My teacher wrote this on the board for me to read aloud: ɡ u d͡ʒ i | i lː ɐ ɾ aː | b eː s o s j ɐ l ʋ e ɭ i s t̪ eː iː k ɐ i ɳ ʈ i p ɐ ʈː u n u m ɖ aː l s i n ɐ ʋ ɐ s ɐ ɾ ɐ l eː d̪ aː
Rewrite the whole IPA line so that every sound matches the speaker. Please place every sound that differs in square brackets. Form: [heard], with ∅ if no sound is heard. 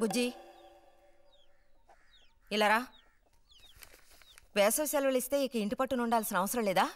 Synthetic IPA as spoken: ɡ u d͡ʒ i | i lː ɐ ɾ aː | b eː s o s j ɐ l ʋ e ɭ i s t̪ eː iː k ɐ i ɳ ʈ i p ɐ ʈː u n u [ɳ] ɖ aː l s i n ɐ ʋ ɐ s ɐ ɾ ɐ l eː d̪ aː